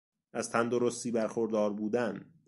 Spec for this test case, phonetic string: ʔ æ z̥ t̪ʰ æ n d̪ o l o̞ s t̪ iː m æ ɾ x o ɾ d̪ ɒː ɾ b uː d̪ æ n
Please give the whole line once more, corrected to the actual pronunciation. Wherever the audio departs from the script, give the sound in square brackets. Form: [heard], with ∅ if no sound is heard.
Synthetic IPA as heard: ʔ æ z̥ t̪ʰ æ n d̪ o [ɾ] o̞ s t̪ iː [b] æ ɾ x o ɾ d̪ ɒː ɾ b uː d̪ æ n